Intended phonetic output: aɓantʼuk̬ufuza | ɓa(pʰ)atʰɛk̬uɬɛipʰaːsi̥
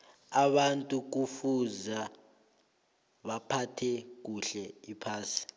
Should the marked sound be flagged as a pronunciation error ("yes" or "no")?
no